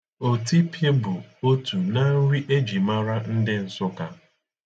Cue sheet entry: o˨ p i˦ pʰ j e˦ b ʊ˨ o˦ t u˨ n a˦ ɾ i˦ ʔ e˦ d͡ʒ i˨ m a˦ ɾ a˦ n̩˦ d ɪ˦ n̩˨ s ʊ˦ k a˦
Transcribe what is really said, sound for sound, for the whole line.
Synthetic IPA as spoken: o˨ t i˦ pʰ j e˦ b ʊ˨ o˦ t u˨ n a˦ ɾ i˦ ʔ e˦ d͡ʒ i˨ m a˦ ɾ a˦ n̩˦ d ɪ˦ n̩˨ s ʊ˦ k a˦